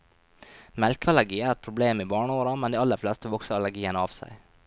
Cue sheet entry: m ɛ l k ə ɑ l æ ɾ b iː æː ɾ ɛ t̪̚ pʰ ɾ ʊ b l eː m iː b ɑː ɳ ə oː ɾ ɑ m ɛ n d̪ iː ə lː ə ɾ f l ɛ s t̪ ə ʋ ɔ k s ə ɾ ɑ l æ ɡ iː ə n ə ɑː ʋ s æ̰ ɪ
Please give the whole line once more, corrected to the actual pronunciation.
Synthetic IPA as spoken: m ɛ l k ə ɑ l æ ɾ ɡ iː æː ɾ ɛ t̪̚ pʰ ɾ ʊ b l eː m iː b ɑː ɳ ə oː ɾ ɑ m ɛ n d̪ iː ɑ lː ə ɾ f l ɛ s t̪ ə ʋ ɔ k s ə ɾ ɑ l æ ɡ iː ə n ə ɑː ʋ s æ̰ ɪ